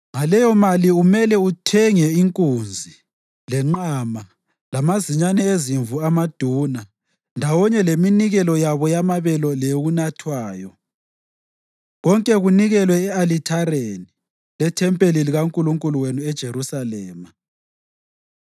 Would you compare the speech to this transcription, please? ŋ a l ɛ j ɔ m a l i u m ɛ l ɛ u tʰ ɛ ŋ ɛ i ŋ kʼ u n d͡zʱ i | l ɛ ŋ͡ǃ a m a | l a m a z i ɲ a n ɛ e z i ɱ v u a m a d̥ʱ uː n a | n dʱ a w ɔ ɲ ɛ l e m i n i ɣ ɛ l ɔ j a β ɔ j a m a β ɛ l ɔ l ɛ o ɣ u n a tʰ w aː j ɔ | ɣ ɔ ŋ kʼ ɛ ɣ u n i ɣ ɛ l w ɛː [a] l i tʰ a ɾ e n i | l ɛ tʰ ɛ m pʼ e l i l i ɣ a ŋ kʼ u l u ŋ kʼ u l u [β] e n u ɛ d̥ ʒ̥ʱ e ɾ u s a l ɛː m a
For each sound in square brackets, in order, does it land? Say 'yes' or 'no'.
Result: yes, no

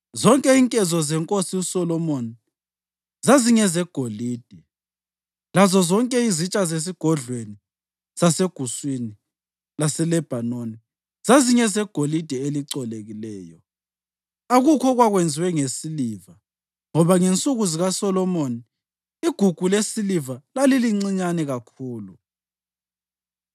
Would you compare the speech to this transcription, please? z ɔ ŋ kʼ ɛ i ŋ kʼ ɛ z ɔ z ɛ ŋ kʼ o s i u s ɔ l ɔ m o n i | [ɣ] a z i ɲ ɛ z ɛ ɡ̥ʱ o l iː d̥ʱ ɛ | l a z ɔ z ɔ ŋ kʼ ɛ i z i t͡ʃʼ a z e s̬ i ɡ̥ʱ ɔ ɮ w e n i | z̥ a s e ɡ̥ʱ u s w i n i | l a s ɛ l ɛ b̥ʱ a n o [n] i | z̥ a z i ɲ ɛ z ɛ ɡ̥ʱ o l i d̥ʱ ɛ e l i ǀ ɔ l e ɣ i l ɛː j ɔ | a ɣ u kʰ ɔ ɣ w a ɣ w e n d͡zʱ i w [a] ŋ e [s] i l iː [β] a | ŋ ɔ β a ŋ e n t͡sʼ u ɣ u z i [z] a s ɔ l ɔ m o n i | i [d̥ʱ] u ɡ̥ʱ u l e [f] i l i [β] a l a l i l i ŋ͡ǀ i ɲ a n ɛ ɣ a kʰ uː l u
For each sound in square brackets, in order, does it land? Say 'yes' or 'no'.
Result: no, yes, no, yes, no, no, no, no, no

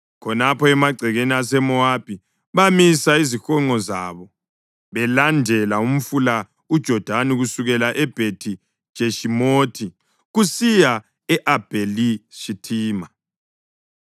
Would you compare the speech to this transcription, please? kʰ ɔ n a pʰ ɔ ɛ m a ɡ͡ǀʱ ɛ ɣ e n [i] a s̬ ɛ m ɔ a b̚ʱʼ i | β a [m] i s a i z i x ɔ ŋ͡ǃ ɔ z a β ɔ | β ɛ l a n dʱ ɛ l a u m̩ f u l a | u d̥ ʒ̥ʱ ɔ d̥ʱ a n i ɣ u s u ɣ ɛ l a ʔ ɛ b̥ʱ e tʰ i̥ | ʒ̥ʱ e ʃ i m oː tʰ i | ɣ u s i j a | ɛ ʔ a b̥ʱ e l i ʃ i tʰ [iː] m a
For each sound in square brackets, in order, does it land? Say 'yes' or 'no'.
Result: yes, yes, yes

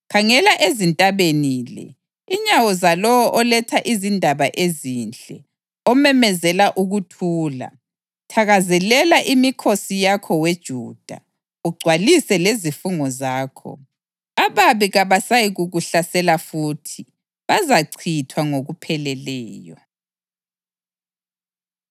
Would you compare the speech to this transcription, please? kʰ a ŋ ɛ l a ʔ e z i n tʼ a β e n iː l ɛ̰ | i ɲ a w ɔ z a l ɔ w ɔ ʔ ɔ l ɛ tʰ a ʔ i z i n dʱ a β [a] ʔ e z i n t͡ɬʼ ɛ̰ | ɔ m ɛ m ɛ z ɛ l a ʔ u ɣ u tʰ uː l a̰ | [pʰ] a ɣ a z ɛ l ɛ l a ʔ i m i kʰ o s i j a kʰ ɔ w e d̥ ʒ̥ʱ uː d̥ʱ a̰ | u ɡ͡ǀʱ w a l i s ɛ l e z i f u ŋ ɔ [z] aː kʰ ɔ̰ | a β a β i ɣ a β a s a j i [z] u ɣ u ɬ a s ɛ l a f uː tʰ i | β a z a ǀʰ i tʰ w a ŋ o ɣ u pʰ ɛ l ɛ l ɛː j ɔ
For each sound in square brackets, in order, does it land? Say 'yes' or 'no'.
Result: yes, no, yes, no

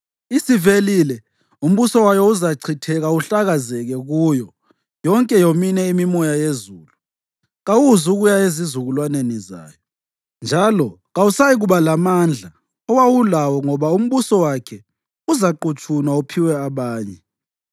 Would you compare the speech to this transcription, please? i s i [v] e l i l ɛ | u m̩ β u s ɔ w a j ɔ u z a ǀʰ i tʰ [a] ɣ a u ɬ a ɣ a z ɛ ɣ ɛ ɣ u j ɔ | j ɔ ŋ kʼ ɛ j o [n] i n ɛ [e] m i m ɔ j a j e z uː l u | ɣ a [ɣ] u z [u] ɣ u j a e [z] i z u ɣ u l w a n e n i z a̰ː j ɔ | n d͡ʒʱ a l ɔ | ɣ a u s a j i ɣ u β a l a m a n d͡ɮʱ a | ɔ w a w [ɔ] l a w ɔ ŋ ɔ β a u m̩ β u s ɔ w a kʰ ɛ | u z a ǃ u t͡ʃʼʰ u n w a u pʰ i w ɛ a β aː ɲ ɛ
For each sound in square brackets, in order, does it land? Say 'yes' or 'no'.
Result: yes, no, no, no, no, yes, yes, no

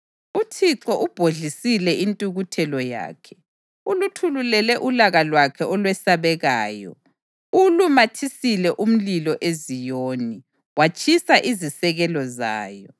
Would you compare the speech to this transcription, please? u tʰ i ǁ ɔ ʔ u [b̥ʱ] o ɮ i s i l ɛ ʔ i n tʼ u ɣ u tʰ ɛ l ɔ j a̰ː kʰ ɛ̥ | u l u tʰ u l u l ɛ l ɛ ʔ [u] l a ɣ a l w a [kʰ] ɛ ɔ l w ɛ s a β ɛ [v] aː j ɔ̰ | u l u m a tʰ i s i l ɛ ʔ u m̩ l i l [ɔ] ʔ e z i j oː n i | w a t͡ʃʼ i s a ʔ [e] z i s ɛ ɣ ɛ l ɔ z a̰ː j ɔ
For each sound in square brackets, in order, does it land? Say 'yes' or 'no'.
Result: yes, yes, yes, no, yes, no

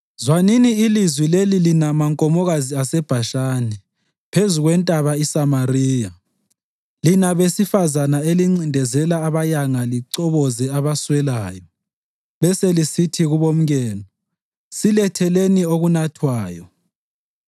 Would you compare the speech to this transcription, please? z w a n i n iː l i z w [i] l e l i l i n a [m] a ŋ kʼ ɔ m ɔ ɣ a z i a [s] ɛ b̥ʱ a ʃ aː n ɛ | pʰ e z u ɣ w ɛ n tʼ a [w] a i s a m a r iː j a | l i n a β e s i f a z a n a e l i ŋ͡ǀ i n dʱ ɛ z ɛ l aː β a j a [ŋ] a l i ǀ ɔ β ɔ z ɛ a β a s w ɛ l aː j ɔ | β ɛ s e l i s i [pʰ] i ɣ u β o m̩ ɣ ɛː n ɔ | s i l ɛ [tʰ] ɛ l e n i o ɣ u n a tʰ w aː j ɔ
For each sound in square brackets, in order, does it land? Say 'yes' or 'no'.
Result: yes, yes, yes, no, yes, no, yes

